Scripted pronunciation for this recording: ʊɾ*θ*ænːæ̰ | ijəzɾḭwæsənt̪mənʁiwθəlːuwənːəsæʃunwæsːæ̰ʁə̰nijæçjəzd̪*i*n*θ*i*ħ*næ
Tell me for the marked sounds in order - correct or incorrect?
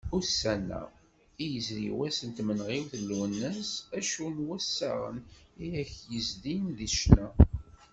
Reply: incorrect, correct, incorrect, incorrect

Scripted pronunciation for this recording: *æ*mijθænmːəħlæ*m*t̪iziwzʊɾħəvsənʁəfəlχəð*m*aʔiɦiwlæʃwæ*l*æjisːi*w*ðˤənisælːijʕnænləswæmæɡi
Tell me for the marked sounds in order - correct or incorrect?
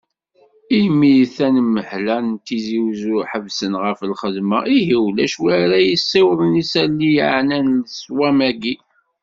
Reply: incorrect, incorrect, correct, incorrect, correct

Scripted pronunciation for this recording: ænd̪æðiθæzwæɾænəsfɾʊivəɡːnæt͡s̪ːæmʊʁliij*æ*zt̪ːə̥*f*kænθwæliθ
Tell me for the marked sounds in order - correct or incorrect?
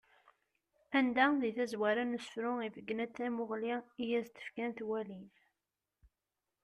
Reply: correct, correct

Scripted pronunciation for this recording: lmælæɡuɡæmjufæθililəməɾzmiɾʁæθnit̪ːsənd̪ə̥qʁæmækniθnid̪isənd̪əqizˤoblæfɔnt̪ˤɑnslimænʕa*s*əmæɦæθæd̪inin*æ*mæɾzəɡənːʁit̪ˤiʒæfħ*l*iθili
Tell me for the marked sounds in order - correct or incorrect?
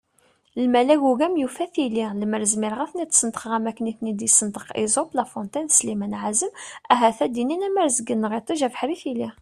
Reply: incorrect, correct, incorrect

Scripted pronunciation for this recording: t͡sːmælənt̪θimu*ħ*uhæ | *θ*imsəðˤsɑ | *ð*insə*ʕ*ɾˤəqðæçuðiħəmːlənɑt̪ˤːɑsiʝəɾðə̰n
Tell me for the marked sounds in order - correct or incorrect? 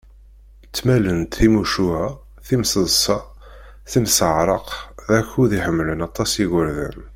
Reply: incorrect, correct, incorrect, correct

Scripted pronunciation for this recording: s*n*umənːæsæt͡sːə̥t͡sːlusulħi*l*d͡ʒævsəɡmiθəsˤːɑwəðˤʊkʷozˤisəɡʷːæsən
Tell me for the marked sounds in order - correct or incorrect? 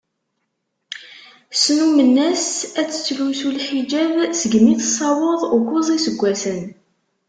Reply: correct, incorrect

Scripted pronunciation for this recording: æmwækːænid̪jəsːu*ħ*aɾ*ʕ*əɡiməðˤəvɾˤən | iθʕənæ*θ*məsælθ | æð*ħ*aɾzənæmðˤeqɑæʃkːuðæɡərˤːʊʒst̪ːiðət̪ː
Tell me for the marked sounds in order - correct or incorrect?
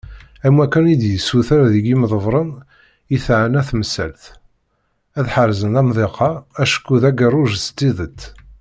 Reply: incorrect, incorrect, correct, correct

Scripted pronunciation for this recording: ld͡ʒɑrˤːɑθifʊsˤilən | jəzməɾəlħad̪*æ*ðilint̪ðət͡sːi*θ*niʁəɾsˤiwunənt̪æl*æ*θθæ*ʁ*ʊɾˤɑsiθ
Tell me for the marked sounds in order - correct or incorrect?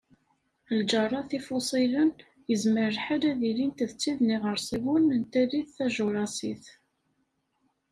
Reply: correct, incorrect, incorrect, incorrect

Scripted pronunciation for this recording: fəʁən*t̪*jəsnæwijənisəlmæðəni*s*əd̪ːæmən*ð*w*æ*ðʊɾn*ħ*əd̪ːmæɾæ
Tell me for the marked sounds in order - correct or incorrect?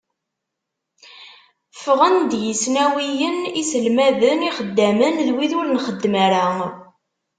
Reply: incorrect, incorrect, correct, incorrect, incorrect

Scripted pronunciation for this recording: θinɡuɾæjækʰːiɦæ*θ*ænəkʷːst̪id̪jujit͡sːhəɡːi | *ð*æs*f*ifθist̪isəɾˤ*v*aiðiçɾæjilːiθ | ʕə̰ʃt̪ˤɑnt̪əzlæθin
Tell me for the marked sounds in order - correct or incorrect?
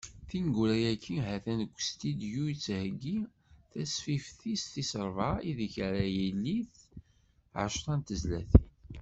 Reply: correct, incorrect, correct, correct

